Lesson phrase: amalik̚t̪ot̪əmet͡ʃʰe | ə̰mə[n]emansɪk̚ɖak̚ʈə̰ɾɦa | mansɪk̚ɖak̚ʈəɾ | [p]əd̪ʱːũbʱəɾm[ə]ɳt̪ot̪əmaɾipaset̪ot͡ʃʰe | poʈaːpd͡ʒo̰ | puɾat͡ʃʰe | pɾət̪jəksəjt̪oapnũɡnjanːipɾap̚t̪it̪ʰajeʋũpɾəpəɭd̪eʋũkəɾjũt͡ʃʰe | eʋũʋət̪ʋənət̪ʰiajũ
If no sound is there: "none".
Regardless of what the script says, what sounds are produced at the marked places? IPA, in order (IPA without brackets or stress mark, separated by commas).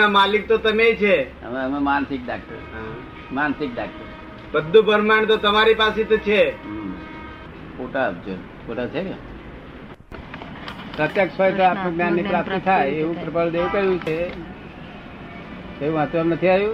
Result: m, b, a